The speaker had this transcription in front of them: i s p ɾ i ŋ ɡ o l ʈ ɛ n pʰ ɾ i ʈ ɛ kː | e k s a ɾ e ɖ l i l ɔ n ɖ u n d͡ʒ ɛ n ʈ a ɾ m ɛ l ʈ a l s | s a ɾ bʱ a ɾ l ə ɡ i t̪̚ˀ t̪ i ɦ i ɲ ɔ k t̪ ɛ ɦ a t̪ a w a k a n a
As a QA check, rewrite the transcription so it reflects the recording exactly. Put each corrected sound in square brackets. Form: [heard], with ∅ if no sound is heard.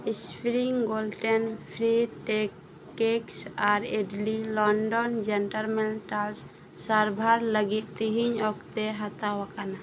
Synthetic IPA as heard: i s p ɾ i ŋ ɡ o l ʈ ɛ n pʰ ɾ i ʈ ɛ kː | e k s a ɾ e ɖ l i l ɔ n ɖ [ɔ] n d͡ʒ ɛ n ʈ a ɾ m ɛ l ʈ a l s | s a ɾ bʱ a ɾ l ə ɡ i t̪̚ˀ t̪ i ɦ i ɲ ɔ k t̪ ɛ ɦ a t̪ a w a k a n a